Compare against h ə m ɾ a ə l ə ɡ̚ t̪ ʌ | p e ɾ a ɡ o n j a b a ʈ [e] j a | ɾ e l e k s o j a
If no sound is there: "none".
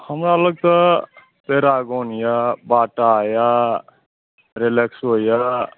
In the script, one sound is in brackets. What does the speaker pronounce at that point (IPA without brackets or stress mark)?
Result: a